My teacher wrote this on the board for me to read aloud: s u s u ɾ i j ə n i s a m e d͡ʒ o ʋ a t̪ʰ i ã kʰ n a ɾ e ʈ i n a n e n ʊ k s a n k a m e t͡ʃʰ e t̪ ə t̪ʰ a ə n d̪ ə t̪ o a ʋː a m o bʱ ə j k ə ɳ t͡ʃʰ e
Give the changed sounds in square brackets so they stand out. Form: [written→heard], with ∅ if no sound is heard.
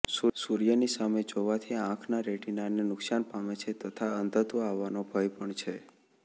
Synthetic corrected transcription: s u s u ɾ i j ə n i s a m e d͡ʒ o ʋ a t̪ʰ i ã kʰ n a ɾ e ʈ i n a n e n ʊ k s a n [k→p] a m e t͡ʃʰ e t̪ ə t̪ʰ a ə n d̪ ə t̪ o a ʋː a [m→n] o bʱ ə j [k→p] ə ɳ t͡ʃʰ e

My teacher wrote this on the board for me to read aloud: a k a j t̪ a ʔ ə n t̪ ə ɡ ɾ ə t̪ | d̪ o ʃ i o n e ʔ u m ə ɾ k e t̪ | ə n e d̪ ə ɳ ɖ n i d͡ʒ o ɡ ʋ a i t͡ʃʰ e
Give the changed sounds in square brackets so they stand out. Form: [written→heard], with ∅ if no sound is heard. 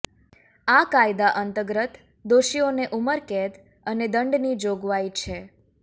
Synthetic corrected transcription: a k a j [t̪→d̪] a ʔ ə n t̪ ə ɡ ɾ ə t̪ | d̪ o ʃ i o n e ʔ u m ə ɾ k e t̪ | ə n e d̪ ə ɳ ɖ n i d͡ʒ o ɡ ʋ a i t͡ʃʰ e

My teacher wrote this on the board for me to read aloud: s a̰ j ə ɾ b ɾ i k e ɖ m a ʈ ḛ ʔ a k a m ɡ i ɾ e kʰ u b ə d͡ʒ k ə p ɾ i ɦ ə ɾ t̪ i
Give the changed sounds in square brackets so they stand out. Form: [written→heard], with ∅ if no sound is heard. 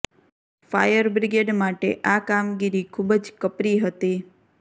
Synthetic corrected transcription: [s→f] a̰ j ə ɾ b ɾ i [k→ɡ] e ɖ m a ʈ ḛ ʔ a k a m ɡ i ɾ [e→i] kʰ u b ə d͡ʒ k ə p ɾ i ɦ ə [ɾ→∅] t̪ i

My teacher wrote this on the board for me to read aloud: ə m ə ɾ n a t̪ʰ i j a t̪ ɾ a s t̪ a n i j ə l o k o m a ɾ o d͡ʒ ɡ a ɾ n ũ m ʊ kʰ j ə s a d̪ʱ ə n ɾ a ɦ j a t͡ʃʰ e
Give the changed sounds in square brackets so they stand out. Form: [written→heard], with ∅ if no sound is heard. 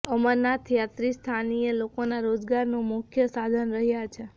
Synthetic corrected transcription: ə m ə ɾ n a t̪ʰ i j a t̪ ɾ [a→i] s [t̪→t̪ʰ] a n i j ə l o k o [m→n] a ɾ o d͡ʒ ɡ a ɾ n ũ m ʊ kʰ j ə s a d̪ʱ ə n ɾ [a→ə] ɦ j a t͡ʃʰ e

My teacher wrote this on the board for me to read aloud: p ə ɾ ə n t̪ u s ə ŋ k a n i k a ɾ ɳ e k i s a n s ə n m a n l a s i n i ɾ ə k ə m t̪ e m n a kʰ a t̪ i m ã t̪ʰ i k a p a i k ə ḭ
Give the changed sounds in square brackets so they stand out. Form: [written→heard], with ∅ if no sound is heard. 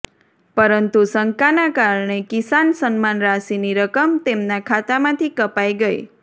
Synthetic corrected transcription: p ə ɾ ə n t̪ u s ə ŋ k a n [i→a] k a ɾ ɳ e k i s a n s ə n m a n [l→ɾ] a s i n i ɾ ə k ə m t̪ e m n a kʰ a t̪ [i→a] m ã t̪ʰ i k [a→ə] p a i [k→ɡ] ə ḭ

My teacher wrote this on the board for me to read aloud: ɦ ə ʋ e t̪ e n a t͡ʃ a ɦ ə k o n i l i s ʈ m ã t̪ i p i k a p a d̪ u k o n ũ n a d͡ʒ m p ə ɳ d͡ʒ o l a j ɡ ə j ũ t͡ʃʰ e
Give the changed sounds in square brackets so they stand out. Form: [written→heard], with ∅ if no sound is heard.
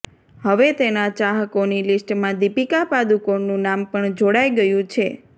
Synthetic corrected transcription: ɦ ə ʋ e t̪ e n a t͡ʃ a ɦ ə k o n i l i s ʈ m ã [t̪→d̪] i p i k a p a d̪ u k o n ũ n a [d͡ʒ→∅] m p ə ɳ d͡ʒ o [l→ɽ] a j ɡ ə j ũ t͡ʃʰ e

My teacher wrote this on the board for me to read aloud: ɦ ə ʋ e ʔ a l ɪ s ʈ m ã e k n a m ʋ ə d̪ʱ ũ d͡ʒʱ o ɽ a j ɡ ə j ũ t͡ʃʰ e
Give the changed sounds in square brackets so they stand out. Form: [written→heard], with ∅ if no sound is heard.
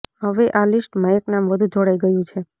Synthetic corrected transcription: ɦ ə ʋ e ʔ a l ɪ s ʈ m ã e k n a m ʋ ə d̪ʱ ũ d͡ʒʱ o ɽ a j ɡ ə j ũ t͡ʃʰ e

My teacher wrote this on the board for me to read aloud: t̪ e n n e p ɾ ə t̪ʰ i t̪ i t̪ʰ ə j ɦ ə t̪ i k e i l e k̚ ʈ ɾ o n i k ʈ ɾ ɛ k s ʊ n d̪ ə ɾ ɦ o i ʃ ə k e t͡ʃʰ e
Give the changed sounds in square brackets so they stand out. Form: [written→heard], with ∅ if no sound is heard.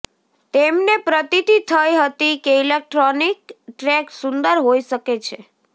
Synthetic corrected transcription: t̪ e [n→m] n e p ɾ ə [t̪ʰ→t̪] i t̪ i t̪ʰ ə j ɦ ə t̪ i k e i l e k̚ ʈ ɾ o n i k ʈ ɾ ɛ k s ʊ n d̪ ə ɾ ɦ o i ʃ ə k e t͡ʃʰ e

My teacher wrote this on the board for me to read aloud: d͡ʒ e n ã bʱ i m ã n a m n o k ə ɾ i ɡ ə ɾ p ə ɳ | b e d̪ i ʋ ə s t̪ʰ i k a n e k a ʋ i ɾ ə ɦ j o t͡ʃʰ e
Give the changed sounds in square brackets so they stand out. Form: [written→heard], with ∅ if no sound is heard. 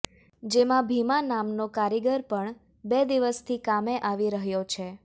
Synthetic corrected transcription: d͡ʒ e [n→m] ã bʱ i m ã n a m n o k [ə→a] ɾ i ɡ ə ɾ p ə ɳ | b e d̪ i ʋ ə s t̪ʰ i k a [n→m] e [k→ʔ] a ʋ i ɾ ə ɦ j o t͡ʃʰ e

